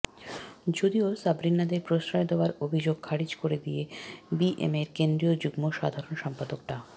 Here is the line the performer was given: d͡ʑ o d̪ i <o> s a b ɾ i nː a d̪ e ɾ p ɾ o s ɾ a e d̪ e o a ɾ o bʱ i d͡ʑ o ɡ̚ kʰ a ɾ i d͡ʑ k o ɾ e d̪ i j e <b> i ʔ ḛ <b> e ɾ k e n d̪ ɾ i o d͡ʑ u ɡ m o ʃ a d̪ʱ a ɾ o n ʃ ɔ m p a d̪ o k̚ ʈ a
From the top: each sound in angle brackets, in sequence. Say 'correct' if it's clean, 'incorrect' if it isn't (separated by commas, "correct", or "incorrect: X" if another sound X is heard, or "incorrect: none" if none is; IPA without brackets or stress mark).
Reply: correct, correct, incorrect: m